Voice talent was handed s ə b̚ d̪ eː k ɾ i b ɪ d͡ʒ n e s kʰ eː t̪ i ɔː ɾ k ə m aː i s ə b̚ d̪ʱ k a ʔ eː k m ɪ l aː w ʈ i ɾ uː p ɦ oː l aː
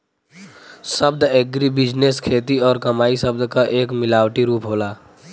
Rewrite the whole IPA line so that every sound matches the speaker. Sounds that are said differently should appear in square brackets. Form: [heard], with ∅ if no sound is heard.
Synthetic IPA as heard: s ə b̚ d̪ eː [ɡ] ɾ i b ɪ d͡ʒ n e s kʰ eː t̪ i ɔː ɾ k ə m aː i s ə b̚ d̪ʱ k a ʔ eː k m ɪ l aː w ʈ i ɾ uː p ɦ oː l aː